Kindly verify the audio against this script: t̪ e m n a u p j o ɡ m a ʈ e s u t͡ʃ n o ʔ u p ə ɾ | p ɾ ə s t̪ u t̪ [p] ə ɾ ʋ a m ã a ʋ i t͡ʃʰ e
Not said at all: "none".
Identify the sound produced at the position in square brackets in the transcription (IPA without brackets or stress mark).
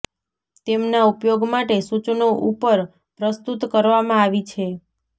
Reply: k